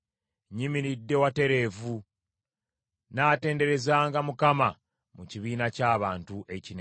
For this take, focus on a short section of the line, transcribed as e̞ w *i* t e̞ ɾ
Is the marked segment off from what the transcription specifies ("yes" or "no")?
yes